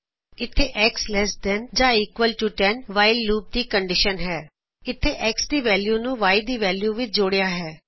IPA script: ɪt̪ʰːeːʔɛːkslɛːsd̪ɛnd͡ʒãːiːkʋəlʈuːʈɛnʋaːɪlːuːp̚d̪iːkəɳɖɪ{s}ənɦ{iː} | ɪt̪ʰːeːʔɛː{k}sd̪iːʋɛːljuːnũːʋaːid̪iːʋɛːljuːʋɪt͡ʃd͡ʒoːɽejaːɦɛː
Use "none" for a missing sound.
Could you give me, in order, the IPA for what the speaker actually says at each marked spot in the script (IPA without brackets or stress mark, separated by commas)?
ʃ, ɛː, k